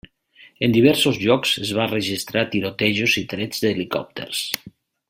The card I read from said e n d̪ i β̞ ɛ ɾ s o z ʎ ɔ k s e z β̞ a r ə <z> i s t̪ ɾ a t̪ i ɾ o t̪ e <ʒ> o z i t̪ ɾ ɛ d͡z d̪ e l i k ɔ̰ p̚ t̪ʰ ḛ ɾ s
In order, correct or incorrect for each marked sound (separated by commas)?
incorrect, correct